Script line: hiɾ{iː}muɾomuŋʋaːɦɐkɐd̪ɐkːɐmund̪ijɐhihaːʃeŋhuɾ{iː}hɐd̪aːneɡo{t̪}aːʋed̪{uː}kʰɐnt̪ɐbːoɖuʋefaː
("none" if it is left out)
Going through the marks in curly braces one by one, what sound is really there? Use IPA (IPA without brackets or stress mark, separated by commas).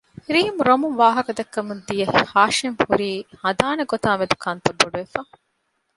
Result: iː, iː, t̪, u